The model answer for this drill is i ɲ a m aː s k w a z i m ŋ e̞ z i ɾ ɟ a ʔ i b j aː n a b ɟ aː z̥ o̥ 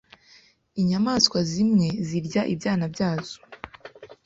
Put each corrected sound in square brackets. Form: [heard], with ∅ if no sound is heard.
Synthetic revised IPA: i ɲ a m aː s k w a z i m ŋ e̞ z i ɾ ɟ a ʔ i b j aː n a b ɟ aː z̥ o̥